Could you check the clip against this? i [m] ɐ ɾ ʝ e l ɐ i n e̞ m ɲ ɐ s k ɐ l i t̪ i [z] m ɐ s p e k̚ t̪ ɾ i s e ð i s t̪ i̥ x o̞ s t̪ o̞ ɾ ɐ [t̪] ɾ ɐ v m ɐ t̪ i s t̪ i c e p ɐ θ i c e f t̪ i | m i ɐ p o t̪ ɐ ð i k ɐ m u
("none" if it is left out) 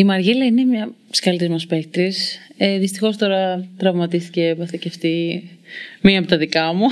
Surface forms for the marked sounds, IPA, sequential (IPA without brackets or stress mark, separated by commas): m, z, t̪